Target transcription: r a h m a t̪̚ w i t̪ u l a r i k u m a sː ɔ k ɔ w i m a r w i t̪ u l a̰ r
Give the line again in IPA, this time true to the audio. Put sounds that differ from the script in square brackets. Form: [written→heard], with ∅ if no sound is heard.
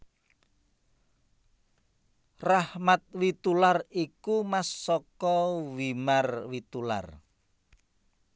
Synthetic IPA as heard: r a h m a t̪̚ w i t̪ u l a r i k u m a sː ɔ k ɔ w i m a r w i t̪ u l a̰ r